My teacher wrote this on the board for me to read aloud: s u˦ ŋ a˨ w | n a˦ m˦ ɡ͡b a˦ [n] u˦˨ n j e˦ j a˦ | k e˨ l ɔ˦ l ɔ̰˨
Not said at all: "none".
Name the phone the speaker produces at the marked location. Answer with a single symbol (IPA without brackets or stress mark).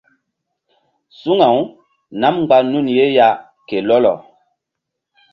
n